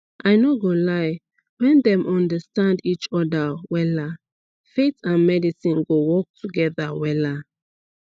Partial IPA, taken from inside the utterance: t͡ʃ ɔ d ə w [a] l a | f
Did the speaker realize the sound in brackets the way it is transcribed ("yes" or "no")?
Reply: no